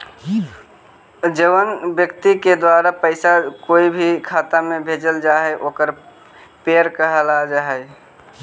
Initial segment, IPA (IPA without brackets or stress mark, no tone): d͡ʒ